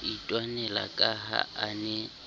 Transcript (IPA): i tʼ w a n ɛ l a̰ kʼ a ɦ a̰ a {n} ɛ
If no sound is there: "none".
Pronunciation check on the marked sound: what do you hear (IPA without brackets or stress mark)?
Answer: n